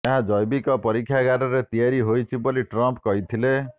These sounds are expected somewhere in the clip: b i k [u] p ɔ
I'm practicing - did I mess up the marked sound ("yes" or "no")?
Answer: yes